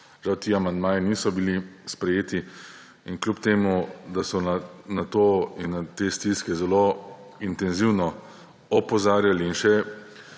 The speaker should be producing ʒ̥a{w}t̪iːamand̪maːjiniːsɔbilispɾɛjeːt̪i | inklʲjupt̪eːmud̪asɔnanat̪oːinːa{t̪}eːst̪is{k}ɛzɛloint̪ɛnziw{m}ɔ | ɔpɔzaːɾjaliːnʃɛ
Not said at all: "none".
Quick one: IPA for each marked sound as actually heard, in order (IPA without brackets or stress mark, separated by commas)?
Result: w, t̪, k, n